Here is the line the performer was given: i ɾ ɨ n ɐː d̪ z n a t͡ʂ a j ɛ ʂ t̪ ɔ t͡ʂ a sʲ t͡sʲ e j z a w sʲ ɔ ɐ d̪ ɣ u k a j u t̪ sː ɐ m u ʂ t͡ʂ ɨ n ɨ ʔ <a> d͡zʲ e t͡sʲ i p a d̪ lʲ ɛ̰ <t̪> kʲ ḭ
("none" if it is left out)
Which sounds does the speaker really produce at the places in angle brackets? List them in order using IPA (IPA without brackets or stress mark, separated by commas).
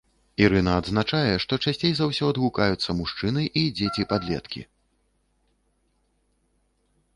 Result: i, t̪